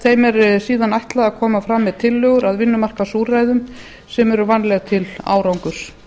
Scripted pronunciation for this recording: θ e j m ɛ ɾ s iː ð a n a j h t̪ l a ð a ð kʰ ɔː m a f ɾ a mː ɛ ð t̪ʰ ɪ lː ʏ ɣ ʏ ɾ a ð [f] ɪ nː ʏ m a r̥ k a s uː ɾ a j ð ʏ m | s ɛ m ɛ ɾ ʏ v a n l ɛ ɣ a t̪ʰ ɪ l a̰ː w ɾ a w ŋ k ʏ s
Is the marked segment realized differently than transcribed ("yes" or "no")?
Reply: yes